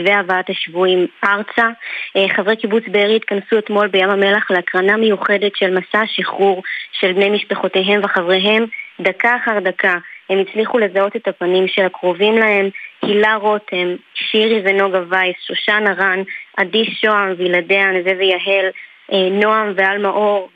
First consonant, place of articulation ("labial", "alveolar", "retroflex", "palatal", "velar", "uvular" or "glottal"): labial